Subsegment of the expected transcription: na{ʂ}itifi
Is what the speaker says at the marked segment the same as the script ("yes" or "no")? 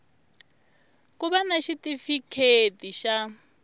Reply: no